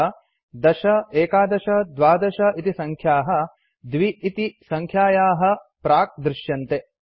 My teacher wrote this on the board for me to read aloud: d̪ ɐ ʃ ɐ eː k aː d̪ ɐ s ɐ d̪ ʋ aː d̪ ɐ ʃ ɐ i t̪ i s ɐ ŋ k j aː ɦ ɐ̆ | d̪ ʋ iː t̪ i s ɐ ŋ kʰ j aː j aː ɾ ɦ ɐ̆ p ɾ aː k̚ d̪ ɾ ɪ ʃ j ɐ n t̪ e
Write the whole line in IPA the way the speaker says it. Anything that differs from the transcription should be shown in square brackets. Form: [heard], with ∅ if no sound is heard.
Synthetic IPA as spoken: d̪ ɐ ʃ ɐ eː k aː d̪ ɐ [ʃ] ɐ d̪ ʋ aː d̪ ɐ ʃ ɐ i t̪ i s ɐ ŋ [kʰ] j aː ɦ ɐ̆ | d̪ ʋ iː t̪ i s ɐ ŋ kʰ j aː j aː [∅] ɦ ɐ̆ p ɾ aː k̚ d̪ ɾ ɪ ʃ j ɐ n t̪ e

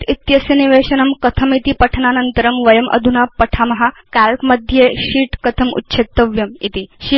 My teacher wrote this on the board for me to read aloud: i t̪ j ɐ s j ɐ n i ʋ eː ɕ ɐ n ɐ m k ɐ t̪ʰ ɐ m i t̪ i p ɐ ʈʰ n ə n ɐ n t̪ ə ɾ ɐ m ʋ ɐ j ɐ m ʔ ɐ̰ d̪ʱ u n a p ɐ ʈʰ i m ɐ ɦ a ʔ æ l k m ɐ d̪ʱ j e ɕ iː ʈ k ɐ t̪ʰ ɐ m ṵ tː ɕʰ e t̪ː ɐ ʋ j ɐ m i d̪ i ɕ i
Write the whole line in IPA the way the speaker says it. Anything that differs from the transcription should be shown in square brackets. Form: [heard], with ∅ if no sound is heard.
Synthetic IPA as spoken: i t̪ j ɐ s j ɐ n i ʋ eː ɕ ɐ n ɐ m k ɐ t̪ʰ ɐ m i t̪ i p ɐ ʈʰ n [a] n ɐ n t̪ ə ɾ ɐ m ʋ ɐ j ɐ m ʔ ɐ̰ d̪ʱ u n a p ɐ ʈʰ [a] m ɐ ɦ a [k] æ l k m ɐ d̪ʱ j e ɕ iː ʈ k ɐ t̪ʰ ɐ m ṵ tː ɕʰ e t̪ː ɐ ʋ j ɐ m i [t̪] i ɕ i

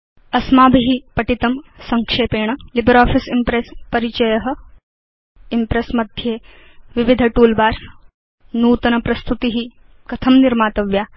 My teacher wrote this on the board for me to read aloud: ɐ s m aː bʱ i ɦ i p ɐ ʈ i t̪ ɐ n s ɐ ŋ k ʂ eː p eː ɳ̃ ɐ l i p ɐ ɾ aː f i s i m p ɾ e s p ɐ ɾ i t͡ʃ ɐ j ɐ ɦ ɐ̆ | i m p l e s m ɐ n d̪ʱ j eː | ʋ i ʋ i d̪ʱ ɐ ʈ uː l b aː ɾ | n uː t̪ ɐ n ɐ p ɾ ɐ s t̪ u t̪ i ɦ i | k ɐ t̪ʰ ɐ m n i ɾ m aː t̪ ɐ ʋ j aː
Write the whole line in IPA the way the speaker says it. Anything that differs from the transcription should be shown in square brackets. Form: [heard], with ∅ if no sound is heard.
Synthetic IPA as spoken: ɐ s m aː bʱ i ɦ i p ɐ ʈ i t̪ ɐ [m] s ɐ ŋ k ʂ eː p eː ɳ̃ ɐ l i [b] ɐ ɾ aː f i s i m p ɾ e s p ɐ ɾ i t͡ʃ ɐ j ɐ ɦ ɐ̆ | i m p [ɾ] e s m ɐ [∅] d̪ʱ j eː | ʋ i ʋ i d̪ʱ ɐ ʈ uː l b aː ɾ | n uː t̪ ɐ n ɐ p ɾ ɐ s t̪ u t̪ i ɦ i | k ɐ t̪ʰ ɐ m n i ɾ m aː t̪ ɐ ʋ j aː

